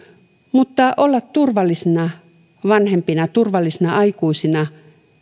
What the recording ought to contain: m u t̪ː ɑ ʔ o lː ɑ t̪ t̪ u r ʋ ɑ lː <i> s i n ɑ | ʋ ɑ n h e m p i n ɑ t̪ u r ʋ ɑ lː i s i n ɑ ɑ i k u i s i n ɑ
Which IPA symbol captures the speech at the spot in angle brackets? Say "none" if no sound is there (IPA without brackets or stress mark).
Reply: i